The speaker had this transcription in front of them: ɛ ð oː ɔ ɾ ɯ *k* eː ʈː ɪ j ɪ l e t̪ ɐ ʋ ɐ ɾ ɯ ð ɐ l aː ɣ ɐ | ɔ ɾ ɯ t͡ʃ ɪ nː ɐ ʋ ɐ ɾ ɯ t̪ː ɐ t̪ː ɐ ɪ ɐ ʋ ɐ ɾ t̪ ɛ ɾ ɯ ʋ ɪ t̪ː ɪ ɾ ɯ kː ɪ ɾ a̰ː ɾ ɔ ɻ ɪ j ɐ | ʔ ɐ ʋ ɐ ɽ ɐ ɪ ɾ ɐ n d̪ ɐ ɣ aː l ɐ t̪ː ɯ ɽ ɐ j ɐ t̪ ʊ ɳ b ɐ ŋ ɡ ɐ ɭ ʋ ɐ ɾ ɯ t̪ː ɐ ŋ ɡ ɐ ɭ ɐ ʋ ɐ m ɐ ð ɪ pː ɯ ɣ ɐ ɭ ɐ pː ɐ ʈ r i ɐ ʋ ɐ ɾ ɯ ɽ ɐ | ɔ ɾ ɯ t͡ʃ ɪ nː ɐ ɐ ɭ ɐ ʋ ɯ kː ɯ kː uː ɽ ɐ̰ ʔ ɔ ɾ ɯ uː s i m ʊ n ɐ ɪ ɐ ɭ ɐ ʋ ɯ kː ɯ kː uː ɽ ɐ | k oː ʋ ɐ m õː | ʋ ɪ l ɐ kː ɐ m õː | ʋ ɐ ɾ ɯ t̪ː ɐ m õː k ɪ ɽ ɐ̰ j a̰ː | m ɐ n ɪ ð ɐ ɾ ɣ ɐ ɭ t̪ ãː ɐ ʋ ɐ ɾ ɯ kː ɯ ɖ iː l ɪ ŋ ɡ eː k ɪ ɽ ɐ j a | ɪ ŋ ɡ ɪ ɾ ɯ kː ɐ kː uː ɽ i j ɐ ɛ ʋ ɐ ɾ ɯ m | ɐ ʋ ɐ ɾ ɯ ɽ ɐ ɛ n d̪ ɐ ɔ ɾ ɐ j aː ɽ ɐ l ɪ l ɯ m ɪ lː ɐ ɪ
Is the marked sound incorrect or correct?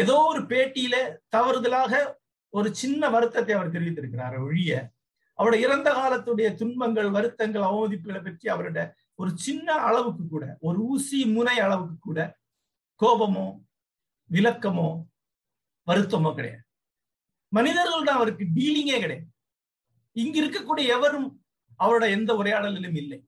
incorrect